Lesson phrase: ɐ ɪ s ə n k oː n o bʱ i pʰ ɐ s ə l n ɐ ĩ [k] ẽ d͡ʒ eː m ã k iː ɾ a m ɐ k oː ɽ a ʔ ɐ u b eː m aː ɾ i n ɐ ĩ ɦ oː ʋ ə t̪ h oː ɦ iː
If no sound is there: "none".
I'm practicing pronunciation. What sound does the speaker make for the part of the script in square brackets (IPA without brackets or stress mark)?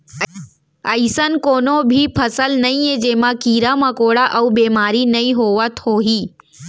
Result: none